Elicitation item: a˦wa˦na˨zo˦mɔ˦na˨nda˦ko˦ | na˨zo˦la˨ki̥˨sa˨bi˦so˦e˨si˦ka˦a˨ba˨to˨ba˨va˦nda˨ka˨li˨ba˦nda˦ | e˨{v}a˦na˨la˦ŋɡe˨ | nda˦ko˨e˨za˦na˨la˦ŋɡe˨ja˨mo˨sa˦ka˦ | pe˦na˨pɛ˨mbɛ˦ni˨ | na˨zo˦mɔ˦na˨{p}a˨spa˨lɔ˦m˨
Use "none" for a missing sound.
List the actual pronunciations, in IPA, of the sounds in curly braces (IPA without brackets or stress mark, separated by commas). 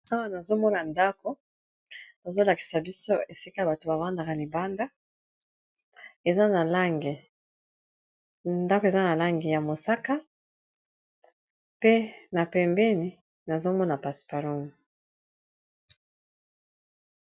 z, p